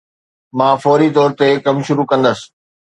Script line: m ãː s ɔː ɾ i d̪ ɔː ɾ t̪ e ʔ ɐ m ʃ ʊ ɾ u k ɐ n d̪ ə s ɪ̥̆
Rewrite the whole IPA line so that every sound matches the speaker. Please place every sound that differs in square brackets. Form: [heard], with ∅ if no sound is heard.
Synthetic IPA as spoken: m ãː [f] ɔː ɾ i [t̪] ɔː ɾ t̪ e [k] ɐ m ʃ ʊ ɾ u k [ɐ̃] n d̪ ə s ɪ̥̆